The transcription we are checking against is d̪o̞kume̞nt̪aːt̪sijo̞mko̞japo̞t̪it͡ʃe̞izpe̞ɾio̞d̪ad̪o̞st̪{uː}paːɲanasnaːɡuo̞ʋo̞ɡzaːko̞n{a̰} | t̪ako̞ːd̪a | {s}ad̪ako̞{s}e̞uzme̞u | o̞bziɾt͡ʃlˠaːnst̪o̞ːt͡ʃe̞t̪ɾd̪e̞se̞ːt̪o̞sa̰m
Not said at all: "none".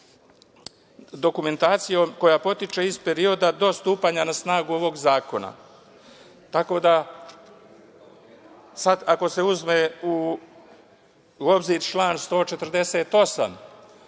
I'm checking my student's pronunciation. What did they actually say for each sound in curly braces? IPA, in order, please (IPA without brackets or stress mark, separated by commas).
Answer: uː, a̰, s, s